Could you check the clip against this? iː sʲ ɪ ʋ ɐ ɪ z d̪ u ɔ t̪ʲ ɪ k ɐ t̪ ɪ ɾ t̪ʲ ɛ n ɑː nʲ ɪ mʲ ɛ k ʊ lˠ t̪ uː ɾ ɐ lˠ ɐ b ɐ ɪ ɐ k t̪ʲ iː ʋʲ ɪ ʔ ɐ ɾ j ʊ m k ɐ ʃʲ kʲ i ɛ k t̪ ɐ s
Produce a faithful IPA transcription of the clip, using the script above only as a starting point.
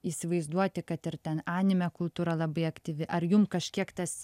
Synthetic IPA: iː sʲ ɪ ʋ ɐ ɪ z d̪ u ɔ t̪ʲ ɪ k ɐ t̪ ɪ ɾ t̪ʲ ɛ n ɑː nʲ ɪ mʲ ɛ k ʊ lˠ t̪ uː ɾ ɐ lˠ ɐ b ɐ ɪ ɐ k t̪ʲ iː ʋʲ ɪ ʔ ɐ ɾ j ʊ m k ɐ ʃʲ kʲ i ɛ k t̪ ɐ s